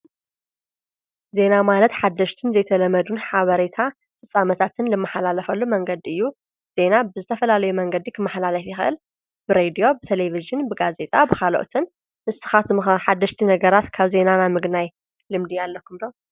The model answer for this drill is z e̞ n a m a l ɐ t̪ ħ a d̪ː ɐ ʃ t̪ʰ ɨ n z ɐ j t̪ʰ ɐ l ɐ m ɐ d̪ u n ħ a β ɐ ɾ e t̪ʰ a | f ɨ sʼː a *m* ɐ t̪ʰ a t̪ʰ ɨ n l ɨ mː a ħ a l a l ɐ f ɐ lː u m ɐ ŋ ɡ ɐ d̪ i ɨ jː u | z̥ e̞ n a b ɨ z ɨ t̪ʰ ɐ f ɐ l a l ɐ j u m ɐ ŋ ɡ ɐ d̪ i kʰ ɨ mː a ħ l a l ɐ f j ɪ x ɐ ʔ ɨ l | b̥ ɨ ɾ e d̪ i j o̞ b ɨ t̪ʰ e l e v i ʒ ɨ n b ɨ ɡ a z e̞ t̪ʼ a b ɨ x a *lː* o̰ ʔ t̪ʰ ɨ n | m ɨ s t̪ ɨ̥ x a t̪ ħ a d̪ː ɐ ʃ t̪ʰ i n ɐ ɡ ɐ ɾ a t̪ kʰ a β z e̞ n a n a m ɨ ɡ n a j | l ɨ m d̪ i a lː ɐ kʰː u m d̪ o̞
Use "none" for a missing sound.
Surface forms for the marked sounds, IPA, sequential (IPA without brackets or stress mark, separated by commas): m, l